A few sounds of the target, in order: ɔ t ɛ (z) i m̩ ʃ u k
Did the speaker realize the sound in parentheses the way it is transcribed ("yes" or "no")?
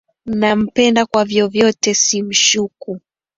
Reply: no